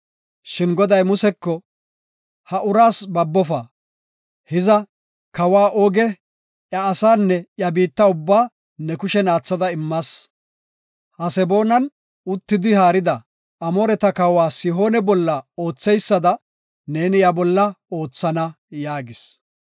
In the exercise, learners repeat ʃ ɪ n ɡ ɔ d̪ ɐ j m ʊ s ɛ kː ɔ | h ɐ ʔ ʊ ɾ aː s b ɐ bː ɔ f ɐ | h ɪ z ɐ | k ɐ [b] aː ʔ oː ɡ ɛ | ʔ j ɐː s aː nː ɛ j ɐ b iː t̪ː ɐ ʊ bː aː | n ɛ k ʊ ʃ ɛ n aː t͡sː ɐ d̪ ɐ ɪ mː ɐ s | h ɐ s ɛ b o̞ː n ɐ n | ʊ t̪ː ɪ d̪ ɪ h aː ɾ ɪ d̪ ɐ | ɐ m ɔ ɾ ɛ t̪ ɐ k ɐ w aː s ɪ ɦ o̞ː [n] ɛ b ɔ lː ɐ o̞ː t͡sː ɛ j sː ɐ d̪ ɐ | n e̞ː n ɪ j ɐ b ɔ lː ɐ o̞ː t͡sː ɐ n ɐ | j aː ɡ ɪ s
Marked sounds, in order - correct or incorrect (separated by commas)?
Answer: incorrect, correct